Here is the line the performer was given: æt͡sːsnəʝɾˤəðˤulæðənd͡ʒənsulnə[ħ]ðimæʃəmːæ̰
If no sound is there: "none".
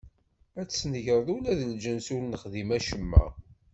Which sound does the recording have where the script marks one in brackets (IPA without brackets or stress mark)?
χ